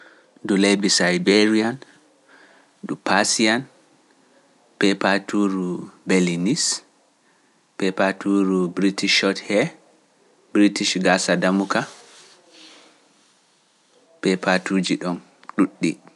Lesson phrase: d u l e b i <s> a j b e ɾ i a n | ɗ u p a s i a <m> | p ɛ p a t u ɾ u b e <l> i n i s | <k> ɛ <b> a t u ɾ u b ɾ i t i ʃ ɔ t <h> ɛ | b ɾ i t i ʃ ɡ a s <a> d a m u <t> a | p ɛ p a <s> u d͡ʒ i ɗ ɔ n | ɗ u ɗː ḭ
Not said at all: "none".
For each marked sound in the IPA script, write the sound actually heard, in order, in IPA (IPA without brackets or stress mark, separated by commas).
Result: s, n, l, p, p, h, a, k, t